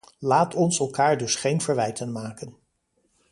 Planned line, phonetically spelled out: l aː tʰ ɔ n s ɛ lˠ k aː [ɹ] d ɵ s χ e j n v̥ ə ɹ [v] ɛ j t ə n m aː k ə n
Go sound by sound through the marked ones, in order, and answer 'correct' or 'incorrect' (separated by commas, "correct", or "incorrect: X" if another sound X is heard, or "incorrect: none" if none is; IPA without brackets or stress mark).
correct, incorrect: ʋ